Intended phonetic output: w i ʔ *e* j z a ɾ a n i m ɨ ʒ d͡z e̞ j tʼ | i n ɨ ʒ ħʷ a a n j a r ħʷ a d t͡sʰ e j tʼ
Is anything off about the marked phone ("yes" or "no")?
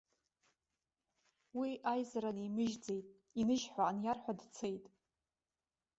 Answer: yes